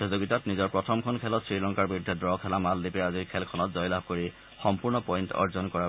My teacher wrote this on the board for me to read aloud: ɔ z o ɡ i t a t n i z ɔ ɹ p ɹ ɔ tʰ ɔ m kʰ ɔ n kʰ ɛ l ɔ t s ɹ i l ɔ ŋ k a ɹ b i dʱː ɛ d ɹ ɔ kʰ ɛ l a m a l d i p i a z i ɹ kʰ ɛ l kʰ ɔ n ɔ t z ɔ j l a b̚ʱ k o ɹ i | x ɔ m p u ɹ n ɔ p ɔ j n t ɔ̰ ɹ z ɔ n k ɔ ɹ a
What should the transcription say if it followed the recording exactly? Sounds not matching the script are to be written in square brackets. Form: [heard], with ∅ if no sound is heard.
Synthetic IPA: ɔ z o ɡ i t a t n i z ɔ ɹ p ɹ ɔ tʰ ɔ m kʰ ɔ n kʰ ɛ l ɔ t s ɹ i l ɔ ŋ k a ɹ b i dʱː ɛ d ɹ ɔ kʰ ɛ l a m a l d i p [ɛ] a z i ɹ kʰ ɛ l kʰ ɔ n ɔ t z ɔ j l a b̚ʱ k o ɹ i | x ɔ m p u ɹ n ɔ p ɔ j n t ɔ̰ ɹ z ɔ n k ɔ ɹ a